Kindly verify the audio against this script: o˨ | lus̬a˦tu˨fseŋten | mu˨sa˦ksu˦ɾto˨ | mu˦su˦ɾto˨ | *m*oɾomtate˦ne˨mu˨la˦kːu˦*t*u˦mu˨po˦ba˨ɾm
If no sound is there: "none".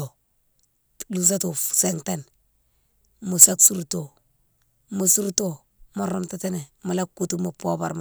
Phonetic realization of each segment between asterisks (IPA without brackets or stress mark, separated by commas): m, t